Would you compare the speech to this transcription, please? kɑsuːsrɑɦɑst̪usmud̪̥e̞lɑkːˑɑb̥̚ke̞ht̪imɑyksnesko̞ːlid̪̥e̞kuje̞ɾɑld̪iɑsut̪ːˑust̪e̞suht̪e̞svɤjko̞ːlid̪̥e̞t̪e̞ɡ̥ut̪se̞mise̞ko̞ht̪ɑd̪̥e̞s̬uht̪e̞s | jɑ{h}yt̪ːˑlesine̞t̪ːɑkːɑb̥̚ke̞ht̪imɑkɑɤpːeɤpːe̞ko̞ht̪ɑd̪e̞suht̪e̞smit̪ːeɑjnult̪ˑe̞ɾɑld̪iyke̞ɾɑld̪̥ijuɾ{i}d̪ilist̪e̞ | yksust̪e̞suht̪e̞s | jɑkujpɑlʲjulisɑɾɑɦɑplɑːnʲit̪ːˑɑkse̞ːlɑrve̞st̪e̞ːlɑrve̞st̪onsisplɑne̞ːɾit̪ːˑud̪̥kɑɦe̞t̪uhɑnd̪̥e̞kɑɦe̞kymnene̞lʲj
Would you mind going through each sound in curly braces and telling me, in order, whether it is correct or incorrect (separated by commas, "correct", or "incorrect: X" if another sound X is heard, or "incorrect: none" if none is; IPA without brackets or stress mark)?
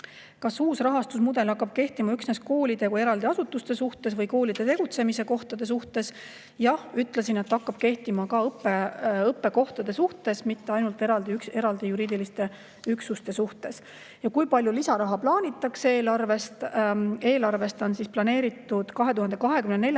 correct, incorrect: iː